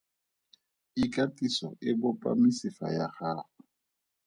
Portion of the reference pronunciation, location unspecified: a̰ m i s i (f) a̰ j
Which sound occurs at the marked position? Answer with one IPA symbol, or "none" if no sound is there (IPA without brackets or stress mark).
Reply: f